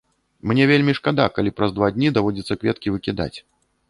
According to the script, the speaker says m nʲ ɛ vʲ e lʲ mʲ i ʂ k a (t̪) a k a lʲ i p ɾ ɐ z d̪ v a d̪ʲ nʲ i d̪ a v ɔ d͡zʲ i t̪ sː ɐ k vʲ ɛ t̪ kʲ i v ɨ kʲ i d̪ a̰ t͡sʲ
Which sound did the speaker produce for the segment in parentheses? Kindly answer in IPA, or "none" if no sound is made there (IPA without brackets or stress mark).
d̪